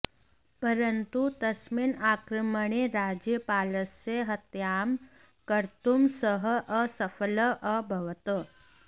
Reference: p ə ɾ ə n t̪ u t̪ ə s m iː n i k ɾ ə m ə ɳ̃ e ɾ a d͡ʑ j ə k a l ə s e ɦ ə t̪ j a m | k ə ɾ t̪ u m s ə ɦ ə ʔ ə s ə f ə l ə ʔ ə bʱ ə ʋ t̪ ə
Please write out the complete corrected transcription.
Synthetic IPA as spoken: p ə ɾ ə n t̪ u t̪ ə s m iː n a k ɾ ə m ə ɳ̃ e ɾ a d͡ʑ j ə p a l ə s e ɦ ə t̪ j a m | k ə ɾ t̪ u m s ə ɦ ə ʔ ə s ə f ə l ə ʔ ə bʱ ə ʋ t̪ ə